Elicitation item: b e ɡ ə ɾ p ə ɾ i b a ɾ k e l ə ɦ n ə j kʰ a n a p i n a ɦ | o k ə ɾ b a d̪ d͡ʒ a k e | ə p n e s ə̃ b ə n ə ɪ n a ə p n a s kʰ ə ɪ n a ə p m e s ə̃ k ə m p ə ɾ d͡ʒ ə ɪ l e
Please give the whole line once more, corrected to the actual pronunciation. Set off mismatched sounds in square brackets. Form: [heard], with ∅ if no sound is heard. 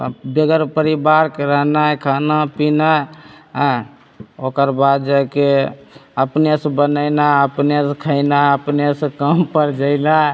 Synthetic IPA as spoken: b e ɡ ə ɾ p ə ɾ i b a ɾ k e [ɾ] ə ɦ n [a] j kʰ a n a p i n a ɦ | o k ə ɾ b a d̪ d͡ʒ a k e | ə p n e s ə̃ b ə n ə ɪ n a ə p n [e] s kʰ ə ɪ n a ə p [n] e s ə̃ k ə m p ə ɾ d͡ʒ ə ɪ l [a]

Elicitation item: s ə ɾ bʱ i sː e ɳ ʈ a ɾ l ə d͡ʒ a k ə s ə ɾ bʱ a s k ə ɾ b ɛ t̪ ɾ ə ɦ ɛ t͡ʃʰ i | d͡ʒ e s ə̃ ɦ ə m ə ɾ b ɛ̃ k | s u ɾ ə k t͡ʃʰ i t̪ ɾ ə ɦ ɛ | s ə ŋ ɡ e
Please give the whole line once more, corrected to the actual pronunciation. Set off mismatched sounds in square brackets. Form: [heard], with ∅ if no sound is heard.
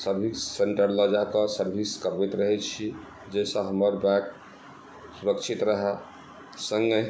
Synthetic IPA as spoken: s ə ɾ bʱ i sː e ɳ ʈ [ə] ɾ l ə d͡ʒ a k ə s ə ɾ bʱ [i] s k ə ɾ b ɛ t̪ ɾ ə ɦ ɛ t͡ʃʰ i | d͡ʒ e s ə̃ ɦ ə m ə ɾ b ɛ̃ k | s u ɾ ə k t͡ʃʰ i t̪ ɾ ə ɦ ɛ | s ə ŋ ɡ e

